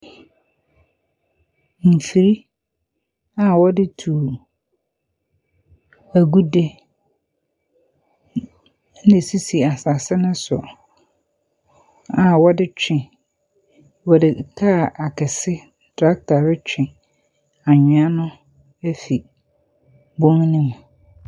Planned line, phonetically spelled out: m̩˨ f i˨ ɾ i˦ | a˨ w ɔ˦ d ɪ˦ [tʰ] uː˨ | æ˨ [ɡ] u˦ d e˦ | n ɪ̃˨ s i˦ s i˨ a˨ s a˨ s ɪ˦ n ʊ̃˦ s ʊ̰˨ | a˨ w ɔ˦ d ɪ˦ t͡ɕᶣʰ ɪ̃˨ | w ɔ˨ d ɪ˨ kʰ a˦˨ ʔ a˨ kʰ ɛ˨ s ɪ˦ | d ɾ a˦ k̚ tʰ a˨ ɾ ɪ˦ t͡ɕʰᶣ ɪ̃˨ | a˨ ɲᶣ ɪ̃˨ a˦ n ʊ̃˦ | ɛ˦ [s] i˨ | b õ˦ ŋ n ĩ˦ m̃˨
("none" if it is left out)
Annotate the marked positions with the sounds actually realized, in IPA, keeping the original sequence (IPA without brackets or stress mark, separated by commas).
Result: tʰ, ɡ, f